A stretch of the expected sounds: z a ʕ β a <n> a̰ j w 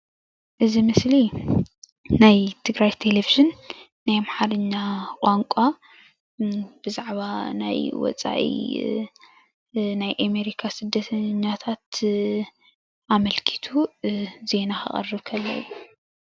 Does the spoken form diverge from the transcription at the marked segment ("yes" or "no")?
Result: no